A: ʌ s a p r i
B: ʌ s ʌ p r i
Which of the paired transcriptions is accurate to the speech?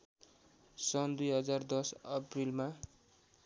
B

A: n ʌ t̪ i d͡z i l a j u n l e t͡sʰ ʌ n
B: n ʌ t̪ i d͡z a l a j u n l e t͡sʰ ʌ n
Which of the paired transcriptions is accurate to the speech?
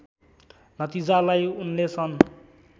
B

